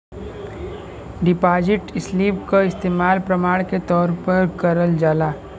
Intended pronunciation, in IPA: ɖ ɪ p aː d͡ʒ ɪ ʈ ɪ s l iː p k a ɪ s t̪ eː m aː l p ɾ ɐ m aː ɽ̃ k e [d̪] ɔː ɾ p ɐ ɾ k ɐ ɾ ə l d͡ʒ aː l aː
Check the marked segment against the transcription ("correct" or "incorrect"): incorrect